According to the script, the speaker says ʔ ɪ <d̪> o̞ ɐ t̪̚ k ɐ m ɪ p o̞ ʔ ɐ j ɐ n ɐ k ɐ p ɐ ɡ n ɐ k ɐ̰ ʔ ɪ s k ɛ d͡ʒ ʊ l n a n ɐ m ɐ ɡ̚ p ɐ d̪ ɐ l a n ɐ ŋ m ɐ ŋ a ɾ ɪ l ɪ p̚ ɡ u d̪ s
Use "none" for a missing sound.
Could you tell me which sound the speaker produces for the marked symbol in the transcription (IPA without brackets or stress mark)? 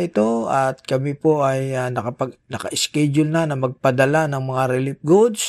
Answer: t̪